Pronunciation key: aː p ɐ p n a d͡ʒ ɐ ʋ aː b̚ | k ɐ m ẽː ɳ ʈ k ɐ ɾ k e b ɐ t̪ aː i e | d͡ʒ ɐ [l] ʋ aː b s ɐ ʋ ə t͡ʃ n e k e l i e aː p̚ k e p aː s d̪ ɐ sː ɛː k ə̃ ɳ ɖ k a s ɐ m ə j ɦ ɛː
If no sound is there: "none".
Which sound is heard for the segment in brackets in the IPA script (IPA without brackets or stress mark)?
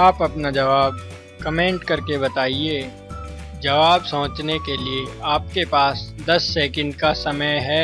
none